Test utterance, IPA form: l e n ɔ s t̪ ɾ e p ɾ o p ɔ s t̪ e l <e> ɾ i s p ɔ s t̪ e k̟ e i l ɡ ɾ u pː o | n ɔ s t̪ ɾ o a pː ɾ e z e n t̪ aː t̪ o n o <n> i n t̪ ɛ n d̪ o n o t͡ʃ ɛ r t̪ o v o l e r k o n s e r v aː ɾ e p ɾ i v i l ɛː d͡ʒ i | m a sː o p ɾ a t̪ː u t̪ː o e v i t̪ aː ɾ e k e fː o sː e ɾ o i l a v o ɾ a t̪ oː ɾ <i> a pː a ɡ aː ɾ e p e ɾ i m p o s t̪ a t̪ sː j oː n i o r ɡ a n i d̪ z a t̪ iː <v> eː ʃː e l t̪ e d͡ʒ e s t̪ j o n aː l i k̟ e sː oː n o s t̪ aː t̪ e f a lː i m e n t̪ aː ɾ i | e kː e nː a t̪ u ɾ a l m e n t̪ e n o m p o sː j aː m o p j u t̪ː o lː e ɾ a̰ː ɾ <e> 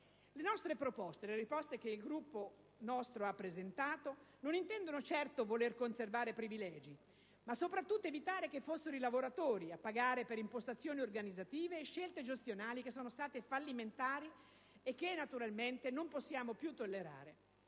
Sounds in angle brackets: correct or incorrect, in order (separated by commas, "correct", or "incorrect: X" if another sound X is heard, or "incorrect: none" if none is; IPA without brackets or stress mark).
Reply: correct, correct, correct, correct, correct